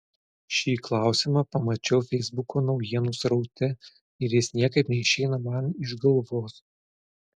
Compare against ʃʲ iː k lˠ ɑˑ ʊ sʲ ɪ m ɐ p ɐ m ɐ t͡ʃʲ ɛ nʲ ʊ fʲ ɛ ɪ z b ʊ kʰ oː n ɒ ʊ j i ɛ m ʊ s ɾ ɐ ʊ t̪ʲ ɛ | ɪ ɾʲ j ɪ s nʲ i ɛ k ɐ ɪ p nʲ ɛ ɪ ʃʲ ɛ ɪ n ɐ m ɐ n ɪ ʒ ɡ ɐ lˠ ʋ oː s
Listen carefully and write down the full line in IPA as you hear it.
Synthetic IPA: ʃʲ iː k lˠ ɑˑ ʊ sʲ ɪ m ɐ p ɐ m ɐ t͡ʃʲ ɛ ʊ fʲ ɛ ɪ z b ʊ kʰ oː n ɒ ʊ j i ɛ n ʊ s ɾ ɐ ʊ t̪ʲ ɛ | ɪ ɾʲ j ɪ s nʲ i ɛ k ɐ ɪ p nʲ ɛ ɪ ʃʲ ɛ ɪ n ɐ m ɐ n ɪ ʒ ɡ ɐ lˠ ʋ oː s